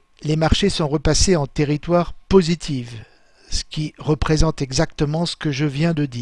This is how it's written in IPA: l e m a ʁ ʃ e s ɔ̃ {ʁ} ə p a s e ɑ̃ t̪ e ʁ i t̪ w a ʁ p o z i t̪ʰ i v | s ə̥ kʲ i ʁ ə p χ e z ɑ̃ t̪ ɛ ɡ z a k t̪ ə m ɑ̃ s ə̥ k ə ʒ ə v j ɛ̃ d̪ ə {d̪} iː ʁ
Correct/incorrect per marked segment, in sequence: correct, correct

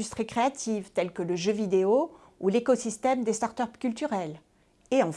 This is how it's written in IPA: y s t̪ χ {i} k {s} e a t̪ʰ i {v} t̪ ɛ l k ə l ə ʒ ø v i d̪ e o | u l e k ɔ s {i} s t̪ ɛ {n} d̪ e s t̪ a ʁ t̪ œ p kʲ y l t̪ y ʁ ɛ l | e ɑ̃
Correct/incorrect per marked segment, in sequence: correct, incorrect: χ, correct, correct, incorrect: m

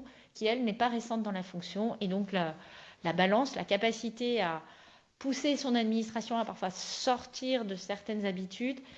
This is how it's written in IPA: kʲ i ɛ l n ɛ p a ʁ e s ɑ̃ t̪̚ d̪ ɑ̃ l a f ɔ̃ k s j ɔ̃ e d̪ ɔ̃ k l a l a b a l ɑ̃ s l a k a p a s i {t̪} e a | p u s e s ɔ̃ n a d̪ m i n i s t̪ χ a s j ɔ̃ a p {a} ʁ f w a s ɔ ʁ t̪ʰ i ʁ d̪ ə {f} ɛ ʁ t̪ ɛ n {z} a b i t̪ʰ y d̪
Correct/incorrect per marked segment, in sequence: correct, correct, incorrect: s, correct

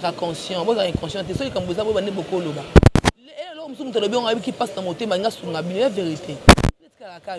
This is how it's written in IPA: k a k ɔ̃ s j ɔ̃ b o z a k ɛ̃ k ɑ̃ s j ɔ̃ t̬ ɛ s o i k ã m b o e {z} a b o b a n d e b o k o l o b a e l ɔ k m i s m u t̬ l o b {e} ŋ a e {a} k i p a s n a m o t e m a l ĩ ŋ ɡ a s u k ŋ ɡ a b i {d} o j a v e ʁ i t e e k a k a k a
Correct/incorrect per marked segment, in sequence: correct, incorrect: i, incorrect: i, incorrect: n

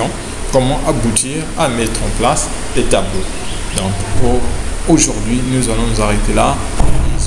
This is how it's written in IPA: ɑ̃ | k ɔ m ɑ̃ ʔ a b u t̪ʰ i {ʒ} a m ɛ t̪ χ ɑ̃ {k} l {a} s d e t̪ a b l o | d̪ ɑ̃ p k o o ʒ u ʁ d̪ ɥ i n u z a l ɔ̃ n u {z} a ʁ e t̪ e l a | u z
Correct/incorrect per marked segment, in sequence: incorrect: ʁ, incorrect: p, correct, correct

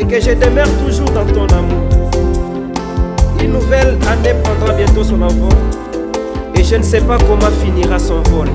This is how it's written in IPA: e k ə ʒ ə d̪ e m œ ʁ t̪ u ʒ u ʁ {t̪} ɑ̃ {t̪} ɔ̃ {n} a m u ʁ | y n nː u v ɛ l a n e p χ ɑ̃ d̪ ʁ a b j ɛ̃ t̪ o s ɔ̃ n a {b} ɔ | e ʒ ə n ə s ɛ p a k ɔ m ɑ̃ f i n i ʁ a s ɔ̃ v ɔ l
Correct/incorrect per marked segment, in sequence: incorrect: d̪, correct, correct, incorrect: v

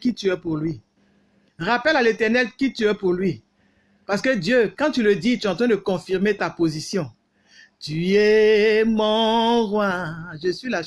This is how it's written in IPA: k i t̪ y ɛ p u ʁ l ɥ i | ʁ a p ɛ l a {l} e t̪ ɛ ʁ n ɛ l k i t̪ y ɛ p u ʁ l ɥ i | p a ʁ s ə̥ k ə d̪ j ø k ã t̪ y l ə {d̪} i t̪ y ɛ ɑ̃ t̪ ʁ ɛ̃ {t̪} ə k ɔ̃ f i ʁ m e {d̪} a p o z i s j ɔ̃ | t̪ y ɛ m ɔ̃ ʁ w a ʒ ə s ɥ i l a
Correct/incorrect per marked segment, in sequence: correct, correct, incorrect: d̪, incorrect: t̪

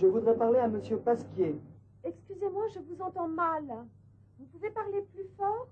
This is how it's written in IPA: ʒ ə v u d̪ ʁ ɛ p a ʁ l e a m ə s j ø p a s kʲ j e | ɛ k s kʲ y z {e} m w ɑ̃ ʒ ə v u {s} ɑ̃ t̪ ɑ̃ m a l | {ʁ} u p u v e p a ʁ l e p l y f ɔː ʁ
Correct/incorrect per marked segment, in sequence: correct, incorrect: z, incorrect: v

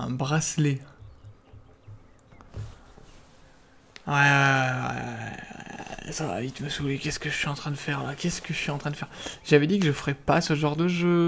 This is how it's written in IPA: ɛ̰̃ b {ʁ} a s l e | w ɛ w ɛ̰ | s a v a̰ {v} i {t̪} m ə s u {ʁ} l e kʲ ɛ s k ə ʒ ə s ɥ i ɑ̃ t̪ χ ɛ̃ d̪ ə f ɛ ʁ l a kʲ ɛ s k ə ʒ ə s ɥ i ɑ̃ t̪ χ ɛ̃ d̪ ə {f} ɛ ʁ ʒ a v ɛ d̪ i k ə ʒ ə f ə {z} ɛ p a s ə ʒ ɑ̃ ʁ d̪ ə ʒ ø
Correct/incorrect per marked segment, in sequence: correct, correct, correct, incorrect: none, correct, incorrect: ʁ

